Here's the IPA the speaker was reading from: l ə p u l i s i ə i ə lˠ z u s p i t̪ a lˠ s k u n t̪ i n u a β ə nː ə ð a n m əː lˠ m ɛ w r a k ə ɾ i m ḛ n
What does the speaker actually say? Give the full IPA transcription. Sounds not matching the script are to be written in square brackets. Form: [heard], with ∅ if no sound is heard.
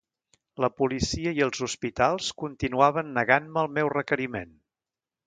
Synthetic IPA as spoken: l ə p u l i s i ə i ə lˠ z u s p i t̪ a lˠ s k u n t̪ i n u a β ə nː ə [ɣ] a n m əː lˠ m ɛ w r [ə] k ə ɾ i m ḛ n